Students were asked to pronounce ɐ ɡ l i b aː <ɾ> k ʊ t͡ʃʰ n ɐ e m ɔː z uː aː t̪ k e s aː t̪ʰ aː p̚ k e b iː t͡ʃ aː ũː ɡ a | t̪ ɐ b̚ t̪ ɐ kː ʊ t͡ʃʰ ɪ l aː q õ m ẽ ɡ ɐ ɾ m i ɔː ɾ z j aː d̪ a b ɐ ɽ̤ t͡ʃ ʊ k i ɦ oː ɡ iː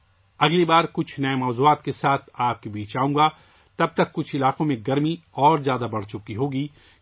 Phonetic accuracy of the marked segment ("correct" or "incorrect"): correct